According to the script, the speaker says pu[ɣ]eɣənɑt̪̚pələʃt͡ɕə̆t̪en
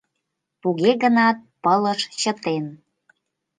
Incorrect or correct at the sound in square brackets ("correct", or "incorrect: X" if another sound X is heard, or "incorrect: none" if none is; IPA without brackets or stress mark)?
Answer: correct